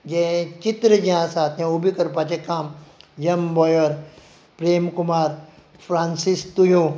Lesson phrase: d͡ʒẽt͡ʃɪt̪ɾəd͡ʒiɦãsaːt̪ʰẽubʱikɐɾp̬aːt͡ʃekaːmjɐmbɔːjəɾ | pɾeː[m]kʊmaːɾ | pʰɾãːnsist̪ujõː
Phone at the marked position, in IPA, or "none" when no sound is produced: m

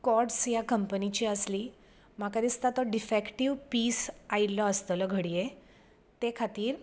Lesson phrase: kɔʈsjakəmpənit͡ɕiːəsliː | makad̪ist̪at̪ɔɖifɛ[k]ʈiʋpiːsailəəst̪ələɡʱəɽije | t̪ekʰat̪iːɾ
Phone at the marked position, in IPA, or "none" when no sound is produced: k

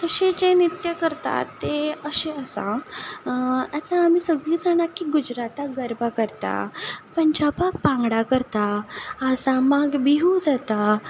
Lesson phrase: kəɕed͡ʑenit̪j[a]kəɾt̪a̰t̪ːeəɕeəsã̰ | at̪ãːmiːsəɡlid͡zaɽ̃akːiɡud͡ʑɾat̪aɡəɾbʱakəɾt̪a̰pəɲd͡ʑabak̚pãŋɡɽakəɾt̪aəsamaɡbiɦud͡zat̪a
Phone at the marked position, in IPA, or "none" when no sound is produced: ə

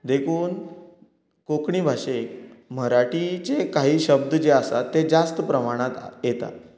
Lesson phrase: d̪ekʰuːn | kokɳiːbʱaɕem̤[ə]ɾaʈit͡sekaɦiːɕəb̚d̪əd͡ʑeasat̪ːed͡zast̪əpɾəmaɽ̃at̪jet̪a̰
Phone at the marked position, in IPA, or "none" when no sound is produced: ə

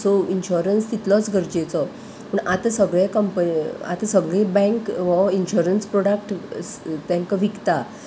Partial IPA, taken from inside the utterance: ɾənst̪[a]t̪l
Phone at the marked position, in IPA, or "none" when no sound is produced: i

